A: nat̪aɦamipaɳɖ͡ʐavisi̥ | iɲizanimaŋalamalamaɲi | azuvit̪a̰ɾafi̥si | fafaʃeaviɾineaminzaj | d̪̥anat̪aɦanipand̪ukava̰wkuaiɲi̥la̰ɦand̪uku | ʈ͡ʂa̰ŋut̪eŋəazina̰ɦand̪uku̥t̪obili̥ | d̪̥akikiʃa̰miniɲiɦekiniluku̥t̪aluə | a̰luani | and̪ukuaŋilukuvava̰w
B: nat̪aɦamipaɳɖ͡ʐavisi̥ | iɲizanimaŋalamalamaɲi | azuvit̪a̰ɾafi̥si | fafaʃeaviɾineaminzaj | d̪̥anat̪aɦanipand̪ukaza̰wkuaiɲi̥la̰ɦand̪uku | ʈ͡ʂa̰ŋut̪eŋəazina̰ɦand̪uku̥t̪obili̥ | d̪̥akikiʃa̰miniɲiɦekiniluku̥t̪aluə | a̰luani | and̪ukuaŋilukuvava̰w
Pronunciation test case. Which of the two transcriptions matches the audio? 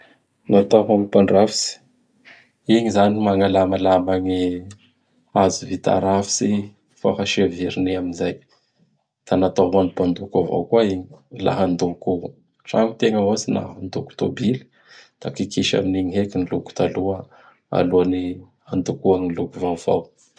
A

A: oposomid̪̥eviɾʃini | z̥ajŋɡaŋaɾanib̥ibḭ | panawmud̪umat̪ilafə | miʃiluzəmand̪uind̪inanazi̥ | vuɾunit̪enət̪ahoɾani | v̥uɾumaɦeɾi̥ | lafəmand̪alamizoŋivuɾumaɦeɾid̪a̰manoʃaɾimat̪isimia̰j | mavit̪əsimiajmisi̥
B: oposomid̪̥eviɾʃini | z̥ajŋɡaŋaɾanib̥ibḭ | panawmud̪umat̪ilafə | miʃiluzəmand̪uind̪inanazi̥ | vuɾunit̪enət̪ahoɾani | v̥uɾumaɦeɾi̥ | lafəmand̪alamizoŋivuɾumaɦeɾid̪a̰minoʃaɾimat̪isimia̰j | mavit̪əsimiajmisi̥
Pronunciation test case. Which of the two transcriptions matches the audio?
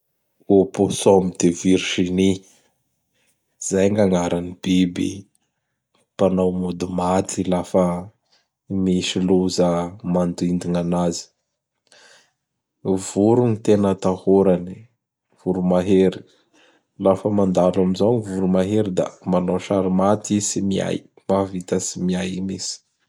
A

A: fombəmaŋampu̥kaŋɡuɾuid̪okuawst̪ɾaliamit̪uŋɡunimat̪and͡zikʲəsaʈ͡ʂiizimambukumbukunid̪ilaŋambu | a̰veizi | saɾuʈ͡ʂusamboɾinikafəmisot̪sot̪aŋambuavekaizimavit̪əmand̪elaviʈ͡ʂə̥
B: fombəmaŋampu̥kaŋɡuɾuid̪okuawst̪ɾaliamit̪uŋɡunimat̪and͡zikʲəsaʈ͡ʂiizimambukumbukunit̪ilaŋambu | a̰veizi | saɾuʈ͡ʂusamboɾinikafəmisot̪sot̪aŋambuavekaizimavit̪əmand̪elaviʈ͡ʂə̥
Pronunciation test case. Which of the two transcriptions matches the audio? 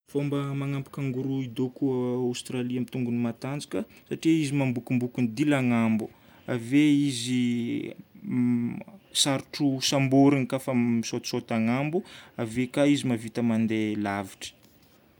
A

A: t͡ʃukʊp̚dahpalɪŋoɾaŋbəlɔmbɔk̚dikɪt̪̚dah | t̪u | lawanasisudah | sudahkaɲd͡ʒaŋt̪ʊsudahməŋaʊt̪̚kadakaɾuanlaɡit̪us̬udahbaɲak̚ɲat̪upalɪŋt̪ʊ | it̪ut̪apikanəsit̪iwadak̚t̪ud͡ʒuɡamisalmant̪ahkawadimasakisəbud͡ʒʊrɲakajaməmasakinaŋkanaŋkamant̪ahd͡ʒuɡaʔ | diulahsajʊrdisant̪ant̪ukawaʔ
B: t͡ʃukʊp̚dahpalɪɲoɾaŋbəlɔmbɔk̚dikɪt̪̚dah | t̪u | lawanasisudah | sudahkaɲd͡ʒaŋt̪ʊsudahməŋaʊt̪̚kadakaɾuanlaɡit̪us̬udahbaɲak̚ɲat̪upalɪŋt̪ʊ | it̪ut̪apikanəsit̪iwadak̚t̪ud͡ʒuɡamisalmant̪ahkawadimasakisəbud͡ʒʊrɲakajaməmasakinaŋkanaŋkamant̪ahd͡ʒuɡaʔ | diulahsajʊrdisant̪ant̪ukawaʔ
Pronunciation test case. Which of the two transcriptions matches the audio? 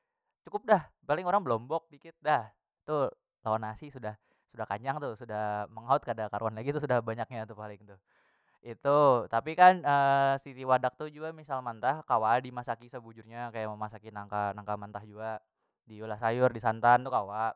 A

